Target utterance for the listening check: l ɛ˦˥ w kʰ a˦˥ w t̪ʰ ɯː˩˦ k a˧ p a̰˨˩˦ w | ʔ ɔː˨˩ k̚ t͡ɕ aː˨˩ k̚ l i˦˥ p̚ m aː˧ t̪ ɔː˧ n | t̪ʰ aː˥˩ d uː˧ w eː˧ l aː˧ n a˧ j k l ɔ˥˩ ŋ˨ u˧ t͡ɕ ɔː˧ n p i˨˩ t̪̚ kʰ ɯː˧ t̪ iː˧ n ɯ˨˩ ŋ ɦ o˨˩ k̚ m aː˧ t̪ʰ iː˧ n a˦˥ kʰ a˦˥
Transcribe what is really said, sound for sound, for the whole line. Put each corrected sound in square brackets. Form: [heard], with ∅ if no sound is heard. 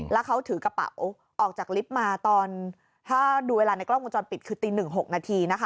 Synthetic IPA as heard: l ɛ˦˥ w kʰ a˦˥ w t̪ʰ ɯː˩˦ k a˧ p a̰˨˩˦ w | ʔ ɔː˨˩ k̚ t͡ɕ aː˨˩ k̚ l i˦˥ p̚ m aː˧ t̪ ɔː˧ n | t̪ʰ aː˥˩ d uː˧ w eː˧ l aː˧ n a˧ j k l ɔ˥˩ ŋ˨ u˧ t͡ɕ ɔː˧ n p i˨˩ t̪̚ kʰ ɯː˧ t̪ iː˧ n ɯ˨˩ ŋ ɦ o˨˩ k̚ [n] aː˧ t̪ʰ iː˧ n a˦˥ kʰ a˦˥